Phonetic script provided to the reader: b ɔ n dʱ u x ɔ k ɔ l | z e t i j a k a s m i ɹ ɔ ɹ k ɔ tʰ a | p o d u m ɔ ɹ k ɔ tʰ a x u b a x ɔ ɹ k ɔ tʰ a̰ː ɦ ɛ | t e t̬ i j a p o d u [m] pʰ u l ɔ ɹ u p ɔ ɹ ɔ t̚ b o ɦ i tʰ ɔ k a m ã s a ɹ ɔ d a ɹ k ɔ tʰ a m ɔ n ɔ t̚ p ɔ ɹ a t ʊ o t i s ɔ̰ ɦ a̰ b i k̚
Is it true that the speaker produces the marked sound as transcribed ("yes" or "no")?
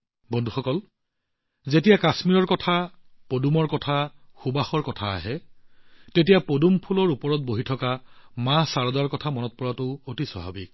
yes